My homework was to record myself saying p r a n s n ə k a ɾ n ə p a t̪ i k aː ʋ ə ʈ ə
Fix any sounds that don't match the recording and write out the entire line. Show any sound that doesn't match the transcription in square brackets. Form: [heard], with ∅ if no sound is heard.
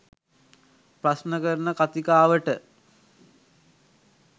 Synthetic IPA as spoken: p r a [∅] s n ə k [ə] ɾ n ə [k] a t̪ i k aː ʋ ə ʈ ə

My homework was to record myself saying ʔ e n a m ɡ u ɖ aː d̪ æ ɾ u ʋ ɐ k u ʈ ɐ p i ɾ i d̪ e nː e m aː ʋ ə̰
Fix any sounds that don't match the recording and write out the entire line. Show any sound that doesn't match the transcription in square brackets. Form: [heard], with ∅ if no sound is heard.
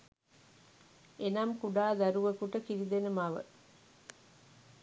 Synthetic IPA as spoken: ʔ e n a m [k] u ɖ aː d̪ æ ɾ u ʋ ɐ k u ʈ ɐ [k] i ɾ i d̪ e [n] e m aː ʋ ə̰

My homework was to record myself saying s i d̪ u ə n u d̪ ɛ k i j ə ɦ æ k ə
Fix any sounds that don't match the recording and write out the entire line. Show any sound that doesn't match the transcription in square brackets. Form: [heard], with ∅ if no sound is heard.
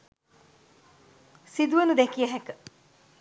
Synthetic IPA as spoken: s i d̪ u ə n u d̪ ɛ k i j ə ɦ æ k ə

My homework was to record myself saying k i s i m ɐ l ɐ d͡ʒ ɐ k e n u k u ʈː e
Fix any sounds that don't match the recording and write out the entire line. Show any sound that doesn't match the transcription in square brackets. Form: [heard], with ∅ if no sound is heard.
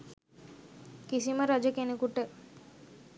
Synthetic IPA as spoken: k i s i m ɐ [ɾ] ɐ d͡ʒ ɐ k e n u k u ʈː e

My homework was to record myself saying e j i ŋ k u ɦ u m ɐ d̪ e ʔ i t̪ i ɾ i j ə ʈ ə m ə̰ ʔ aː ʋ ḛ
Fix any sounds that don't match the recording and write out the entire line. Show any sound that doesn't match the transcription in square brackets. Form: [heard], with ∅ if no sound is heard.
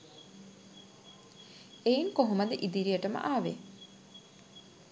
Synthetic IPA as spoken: e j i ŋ k [o] ɦ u m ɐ d̪ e ʔ i [d̪] i ɾ i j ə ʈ ə m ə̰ ʔ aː ʋ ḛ

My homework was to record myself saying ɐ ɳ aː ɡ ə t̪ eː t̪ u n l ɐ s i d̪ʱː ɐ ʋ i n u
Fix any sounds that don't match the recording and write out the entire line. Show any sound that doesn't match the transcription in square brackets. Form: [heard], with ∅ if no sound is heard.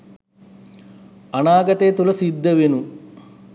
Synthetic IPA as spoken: ɐ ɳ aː ɡ [ɐ] t̪ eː t̪ u [∅] l ɐ s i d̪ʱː ɐ ʋ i n u

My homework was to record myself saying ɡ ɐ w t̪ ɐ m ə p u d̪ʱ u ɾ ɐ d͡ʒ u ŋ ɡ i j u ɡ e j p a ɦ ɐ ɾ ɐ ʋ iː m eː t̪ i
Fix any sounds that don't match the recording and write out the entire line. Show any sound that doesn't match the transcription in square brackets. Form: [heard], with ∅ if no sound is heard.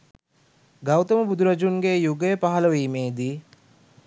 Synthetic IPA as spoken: ɡ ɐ w t̪ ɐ m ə [b] u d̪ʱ u ɾ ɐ d͡ʒ u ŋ ɡ [e] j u ɡ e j p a ɦ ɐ [l] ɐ ʋ iː m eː [d̪] i

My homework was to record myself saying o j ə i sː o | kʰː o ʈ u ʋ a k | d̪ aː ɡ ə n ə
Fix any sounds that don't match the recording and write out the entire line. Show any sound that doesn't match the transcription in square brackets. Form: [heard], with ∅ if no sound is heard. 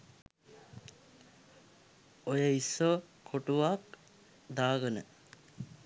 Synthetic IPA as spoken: o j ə i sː o | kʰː o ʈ u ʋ a k | d̪ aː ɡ ə n ə

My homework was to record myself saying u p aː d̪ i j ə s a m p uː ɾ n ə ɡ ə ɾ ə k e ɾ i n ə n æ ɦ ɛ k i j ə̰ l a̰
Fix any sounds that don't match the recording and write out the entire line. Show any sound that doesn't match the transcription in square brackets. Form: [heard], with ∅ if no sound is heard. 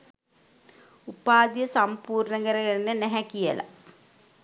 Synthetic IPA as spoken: u p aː d̪ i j ə s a m p uː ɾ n ə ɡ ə ɾ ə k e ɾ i n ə n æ ɦ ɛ k i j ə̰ l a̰

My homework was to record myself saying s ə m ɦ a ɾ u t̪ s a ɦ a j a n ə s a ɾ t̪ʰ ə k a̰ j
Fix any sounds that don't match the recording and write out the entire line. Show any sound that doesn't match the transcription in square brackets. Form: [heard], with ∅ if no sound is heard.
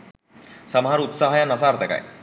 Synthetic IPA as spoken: s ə m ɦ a ɾ u t̪ s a ɦ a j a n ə s a ɾ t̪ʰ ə k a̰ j

